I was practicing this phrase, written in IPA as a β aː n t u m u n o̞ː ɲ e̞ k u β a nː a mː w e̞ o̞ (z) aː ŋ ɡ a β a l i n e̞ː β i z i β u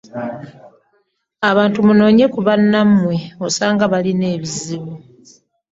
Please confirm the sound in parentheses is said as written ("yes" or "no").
no